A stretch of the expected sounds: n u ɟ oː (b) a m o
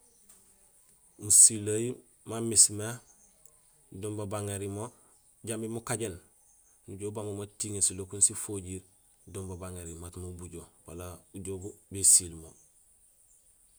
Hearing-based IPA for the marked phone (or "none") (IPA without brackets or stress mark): b